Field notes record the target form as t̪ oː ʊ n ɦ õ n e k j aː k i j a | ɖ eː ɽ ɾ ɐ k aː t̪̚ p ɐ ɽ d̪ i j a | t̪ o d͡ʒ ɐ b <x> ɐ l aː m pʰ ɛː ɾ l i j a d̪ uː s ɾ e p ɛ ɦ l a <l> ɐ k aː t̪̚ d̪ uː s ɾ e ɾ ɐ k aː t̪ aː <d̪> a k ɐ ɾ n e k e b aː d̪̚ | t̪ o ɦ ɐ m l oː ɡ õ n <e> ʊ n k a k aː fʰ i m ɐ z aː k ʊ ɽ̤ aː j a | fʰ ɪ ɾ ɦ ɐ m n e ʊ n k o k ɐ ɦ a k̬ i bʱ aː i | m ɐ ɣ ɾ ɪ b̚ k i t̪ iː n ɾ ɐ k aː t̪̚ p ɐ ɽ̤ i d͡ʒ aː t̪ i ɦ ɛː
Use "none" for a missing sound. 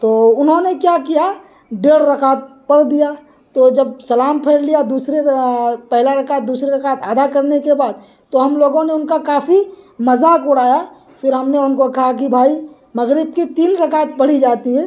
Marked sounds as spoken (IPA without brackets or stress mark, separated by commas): s, ɾ, d̪, e